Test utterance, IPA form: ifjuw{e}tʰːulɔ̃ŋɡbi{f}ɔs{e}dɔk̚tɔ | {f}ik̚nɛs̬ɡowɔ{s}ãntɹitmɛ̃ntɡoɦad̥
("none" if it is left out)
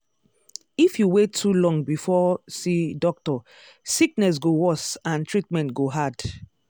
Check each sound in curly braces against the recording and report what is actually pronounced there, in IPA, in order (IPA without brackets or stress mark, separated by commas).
e, f, i, s, s